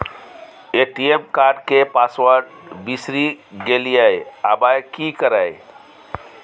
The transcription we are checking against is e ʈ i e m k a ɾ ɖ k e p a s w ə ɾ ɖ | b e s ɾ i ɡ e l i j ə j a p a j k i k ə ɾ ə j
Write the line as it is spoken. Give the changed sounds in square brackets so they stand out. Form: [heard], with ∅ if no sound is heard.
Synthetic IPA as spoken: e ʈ i e m k a ɾ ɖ k e p a s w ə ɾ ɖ | b [i] s ɾ i ɡ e l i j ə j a [b] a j k i k ə ɾ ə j